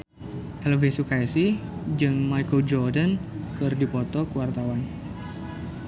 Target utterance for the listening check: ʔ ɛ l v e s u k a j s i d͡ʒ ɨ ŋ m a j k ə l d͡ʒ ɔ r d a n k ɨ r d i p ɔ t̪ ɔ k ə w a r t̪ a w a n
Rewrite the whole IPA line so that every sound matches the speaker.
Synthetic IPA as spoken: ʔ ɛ l v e s u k a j s i d͡ʒ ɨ ŋ m a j k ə l d͡ʒ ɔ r d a n k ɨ r d i p ɔ t̪ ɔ k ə w a r t̪ a w a n